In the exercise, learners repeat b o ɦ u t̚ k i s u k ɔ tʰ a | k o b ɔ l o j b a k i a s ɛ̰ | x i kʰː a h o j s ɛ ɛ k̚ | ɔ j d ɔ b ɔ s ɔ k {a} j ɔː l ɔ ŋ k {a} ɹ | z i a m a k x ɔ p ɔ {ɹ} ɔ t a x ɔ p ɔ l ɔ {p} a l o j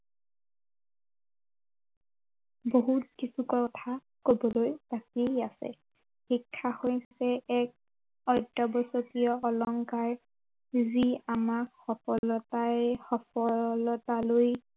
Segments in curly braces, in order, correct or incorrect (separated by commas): incorrect, correct, incorrect, incorrect